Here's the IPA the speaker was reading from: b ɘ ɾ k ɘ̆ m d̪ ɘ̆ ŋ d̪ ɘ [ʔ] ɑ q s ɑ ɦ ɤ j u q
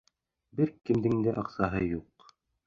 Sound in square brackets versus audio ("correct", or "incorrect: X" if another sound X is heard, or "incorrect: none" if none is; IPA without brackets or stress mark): correct